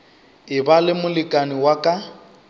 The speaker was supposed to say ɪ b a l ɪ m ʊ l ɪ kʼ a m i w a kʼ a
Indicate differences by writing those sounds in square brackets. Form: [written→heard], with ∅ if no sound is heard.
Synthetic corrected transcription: ɪ b a l ɪ m ʊ l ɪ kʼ a [m→n] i w a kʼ a